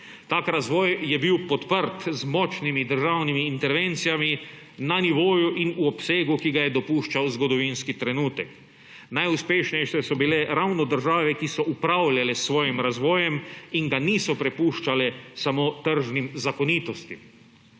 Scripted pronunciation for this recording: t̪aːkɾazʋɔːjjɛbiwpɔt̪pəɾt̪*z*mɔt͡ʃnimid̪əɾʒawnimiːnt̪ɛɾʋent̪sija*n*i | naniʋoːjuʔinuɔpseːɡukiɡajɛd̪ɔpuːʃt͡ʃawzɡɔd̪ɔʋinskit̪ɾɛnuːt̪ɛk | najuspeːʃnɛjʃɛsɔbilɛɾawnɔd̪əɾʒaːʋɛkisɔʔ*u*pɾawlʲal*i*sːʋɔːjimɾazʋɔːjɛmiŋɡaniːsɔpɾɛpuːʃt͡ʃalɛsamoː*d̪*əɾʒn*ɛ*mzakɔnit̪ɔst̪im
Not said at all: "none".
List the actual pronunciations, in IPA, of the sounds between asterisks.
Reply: z, m, u, ɛ, t̪, i

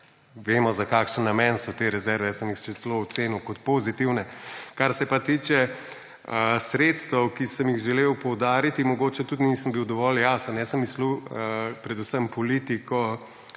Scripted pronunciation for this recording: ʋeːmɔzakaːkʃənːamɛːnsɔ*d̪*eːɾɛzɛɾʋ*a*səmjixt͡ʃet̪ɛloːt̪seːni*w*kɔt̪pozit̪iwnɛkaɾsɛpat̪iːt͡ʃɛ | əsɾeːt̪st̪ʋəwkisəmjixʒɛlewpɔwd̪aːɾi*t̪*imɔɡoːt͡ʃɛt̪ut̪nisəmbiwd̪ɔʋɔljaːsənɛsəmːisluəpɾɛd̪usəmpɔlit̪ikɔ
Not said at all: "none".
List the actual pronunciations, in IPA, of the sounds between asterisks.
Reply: t̪, ɛ, w, t̪

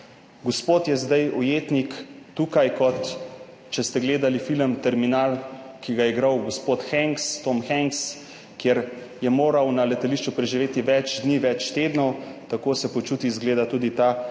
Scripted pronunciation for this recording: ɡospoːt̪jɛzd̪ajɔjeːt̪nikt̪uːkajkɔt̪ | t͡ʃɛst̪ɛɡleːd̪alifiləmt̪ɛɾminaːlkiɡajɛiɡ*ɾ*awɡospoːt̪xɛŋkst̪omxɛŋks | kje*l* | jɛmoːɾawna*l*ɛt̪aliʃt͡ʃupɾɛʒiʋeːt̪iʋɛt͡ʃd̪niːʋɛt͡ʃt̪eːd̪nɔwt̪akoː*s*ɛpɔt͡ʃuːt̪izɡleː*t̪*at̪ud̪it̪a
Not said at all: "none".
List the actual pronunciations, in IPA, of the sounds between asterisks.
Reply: ɾ, ɾ, l, s, d̪

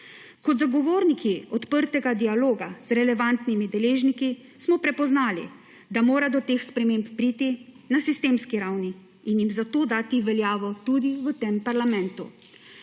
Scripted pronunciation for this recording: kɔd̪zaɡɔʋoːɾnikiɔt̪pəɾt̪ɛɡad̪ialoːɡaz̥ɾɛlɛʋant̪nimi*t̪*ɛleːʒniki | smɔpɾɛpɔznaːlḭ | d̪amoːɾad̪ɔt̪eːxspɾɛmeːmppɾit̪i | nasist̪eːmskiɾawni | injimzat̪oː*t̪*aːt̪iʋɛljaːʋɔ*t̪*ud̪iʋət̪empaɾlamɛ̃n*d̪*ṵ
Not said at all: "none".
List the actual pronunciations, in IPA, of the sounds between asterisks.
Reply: d̪, d̪, t̪, t̪

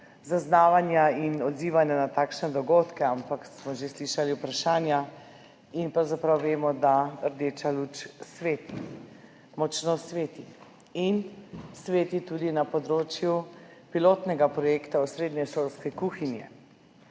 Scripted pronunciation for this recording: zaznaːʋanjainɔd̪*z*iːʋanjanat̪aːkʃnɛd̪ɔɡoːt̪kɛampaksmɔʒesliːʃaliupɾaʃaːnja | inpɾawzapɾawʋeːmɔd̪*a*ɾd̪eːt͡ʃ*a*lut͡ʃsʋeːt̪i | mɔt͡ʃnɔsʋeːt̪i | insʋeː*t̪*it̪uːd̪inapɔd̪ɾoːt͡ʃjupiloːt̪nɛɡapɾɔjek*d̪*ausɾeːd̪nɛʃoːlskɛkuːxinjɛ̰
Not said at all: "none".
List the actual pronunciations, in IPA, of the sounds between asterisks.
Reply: z, a, a, t̪, t̪

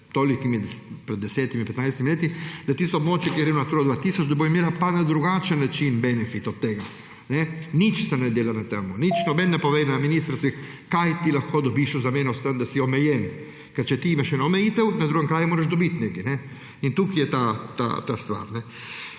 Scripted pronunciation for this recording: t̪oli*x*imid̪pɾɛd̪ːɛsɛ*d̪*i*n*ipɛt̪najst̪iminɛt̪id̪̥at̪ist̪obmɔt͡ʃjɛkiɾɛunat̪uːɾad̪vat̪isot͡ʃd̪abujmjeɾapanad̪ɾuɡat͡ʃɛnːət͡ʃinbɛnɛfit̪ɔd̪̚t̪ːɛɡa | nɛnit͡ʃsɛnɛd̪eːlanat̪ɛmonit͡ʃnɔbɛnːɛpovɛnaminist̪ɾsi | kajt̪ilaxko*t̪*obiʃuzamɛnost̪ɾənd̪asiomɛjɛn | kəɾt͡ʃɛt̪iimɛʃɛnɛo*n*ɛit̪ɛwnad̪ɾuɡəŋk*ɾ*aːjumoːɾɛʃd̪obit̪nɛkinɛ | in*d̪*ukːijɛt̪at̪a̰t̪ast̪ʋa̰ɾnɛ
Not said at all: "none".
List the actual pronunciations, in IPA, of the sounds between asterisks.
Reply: k, t̪, m, d̪, m, ɾ, t̪

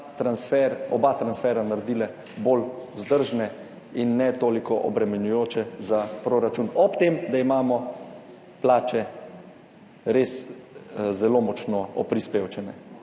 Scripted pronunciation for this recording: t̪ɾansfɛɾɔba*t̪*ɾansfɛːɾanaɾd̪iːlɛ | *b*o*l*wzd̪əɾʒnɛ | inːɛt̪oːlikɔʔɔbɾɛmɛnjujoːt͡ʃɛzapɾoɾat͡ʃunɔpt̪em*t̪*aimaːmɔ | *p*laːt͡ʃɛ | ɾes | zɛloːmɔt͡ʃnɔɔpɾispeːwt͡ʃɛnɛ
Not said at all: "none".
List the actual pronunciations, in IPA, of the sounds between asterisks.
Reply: t̪, b, l, d̪, p

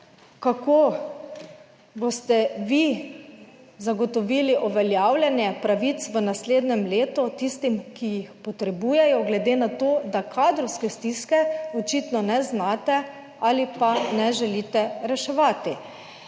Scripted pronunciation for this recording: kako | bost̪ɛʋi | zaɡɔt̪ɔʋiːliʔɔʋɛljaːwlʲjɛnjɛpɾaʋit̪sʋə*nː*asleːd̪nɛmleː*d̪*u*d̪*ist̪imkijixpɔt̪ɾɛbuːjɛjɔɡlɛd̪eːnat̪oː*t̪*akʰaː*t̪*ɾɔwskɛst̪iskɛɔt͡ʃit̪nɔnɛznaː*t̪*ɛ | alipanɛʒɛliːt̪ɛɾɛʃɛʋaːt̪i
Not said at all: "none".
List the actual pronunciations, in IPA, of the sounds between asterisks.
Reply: n, t̪, t̪, d̪, d̪, t̪

